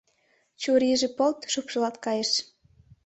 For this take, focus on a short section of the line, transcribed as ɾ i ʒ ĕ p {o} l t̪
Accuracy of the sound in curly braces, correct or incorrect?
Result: correct